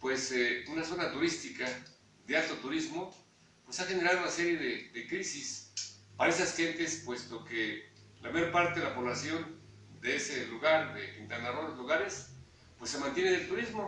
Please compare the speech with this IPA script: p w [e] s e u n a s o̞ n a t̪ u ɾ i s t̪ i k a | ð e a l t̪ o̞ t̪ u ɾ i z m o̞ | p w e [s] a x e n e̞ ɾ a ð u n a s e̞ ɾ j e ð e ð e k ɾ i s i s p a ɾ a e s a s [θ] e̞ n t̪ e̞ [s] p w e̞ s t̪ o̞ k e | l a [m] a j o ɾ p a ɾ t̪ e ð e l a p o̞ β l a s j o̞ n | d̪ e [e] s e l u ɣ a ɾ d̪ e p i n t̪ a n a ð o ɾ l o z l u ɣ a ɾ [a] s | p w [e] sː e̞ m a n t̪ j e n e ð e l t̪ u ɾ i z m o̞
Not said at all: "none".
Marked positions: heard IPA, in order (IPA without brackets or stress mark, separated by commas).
e, s, x, s, m, e, e, e